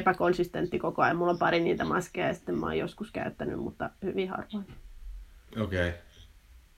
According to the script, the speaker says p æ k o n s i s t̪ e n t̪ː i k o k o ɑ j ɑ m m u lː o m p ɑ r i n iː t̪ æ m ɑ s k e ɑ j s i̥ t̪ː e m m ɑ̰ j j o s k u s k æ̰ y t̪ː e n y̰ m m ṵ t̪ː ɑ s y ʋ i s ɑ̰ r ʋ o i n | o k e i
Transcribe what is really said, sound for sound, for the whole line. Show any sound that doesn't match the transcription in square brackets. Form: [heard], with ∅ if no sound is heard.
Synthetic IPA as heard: p æ k o n s i s t̪ e n t̪ː i k o k o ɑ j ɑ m m u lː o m p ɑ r i n iː t̪ æ m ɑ s k e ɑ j s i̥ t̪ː e m m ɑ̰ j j o s k u s k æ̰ y t̪ː [æ] n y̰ m m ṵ t̪ː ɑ [h] y ʋ i [h] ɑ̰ r ʋ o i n | o k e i